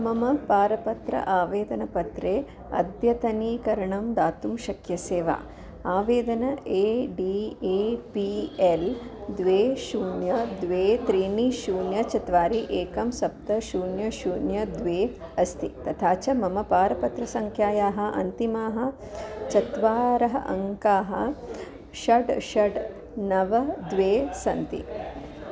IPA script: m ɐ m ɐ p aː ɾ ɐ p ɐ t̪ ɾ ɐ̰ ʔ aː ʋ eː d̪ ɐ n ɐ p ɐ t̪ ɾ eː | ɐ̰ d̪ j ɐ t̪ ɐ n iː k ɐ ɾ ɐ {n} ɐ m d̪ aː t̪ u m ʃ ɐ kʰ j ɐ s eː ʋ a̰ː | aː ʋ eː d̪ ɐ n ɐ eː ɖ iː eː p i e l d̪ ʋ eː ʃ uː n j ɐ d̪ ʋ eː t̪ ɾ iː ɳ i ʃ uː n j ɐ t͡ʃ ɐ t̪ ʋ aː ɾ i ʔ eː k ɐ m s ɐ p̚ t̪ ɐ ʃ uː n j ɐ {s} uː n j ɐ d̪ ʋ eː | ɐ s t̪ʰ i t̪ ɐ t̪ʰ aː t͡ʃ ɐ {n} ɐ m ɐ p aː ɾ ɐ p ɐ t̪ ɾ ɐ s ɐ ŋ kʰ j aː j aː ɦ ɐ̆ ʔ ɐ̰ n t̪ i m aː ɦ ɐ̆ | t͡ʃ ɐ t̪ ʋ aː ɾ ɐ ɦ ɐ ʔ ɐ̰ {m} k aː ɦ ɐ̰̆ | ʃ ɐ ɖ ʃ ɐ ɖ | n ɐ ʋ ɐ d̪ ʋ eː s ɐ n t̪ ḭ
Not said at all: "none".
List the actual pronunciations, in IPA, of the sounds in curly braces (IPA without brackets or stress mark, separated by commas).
ɳ, ʃ, m, ŋ